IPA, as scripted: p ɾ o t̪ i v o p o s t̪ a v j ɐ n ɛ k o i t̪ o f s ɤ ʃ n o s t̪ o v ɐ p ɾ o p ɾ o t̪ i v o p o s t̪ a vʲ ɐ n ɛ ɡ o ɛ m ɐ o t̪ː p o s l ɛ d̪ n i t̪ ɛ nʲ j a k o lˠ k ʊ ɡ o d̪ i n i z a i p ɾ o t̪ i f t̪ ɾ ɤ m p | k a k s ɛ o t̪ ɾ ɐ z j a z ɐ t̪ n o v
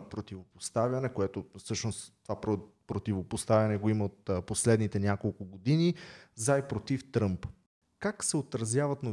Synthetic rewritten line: p ɾ o t̪ i v o p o s t̪ a v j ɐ n ɛ k o ɛ t̪ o f s ɤ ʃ n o s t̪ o v a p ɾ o p ɾ o t̪ i v o p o s t̪ a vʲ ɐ n ɛ ɡ o i m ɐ o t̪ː p o s l ɛ d̪ n i t̪ ɛ nʲ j a k o lˠ k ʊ ɡ o d̪ i n i z a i p ɾ o t̪ i f t̪ ɾ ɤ m p | k a k s ɛ o t̪ ɾ ɐ z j a v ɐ t̪ n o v